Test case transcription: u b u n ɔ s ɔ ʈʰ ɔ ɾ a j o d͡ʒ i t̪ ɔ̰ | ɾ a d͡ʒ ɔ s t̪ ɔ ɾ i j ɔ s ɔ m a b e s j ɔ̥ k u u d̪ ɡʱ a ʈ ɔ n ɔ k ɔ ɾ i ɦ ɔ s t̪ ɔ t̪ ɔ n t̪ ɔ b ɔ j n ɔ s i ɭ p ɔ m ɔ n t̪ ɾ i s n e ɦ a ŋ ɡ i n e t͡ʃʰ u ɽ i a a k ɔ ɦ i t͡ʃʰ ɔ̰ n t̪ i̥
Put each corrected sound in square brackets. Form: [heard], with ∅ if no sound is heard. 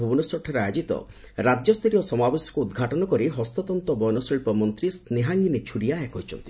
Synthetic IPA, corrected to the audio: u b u n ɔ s ɔ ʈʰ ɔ ɾ a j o d͡ʒ i t̪ ɔ̰ | ɾ a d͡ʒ ɔ s t̪ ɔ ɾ i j ɔ s ɔ m a b e s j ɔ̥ k u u d̪ ɡʱ a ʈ ɔ n ɔ k ɔ ɾ i ɦ ɔ s t̪ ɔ t̪ ɔ n t̪ ɔ b ɔ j n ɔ s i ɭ p ɔ m ɔ n t̪ ɾ i s n e ɦ a ŋ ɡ i n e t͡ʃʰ u ɽ i a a k ɔ ɦ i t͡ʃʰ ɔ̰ n t̪ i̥